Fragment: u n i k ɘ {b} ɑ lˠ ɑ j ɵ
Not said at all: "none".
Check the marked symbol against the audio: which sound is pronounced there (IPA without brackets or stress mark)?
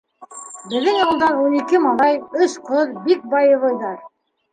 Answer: m